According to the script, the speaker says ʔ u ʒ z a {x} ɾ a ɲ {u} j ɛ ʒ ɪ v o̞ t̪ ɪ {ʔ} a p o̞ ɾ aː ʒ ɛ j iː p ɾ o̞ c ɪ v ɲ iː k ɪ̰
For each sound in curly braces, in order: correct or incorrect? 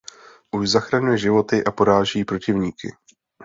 correct, correct, correct

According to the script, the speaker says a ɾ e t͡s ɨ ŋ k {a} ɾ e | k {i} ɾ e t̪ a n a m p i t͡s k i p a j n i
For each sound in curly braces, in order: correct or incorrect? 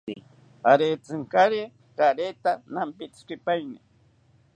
correct, incorrect

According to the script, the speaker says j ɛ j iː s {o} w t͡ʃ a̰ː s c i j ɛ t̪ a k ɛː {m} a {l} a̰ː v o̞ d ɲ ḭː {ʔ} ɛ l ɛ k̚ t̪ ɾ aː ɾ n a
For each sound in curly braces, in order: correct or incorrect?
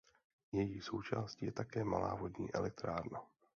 correct, correct, correct, correct

